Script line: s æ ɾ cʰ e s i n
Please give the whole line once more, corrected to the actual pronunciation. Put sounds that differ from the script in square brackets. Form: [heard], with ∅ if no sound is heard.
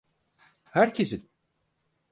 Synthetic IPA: [h] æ ɾ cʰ e s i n